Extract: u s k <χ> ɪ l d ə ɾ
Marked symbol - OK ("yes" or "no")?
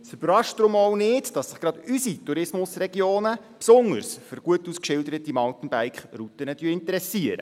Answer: no